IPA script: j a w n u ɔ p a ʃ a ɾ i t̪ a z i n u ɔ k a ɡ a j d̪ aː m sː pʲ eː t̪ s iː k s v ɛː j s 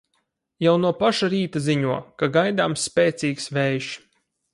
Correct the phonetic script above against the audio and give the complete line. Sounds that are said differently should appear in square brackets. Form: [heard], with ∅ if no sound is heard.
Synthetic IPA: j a w n u ɔ p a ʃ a ɾ [iː] t̪ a z i [ɲ] u ɔ k a ɡ a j d̪ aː m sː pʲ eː t̪ s iː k s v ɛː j [ʃ]